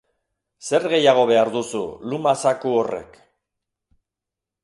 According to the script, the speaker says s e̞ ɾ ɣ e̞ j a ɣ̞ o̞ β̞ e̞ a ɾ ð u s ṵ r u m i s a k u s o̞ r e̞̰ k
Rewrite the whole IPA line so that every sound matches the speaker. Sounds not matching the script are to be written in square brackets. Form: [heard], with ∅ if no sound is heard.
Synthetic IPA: s e̞ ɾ ɣ e̞ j a ɣ̞ o̞ β̞ e̞ a ɾ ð u s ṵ [l] u m [a] s a k u [∅] o̞ r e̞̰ k